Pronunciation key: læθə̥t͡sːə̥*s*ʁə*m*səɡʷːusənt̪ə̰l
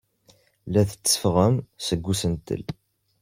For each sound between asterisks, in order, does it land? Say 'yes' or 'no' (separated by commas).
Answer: no, yes